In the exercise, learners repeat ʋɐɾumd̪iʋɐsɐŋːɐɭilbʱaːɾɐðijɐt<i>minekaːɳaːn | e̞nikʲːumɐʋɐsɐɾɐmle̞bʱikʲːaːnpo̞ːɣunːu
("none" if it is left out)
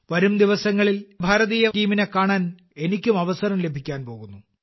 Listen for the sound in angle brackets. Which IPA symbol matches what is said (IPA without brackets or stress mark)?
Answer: iː